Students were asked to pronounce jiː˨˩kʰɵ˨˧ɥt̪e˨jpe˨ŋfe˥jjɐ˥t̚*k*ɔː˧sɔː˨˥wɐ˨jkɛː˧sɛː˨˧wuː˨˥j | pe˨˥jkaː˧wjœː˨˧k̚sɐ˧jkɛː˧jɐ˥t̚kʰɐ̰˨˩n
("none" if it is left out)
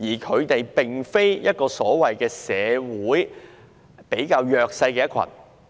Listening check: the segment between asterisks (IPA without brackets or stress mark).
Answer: k